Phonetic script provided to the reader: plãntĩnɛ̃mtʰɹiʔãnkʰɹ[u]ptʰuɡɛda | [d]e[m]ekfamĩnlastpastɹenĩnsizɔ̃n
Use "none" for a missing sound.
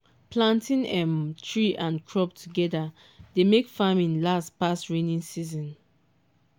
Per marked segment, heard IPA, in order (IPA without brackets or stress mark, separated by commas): ɔ, d, m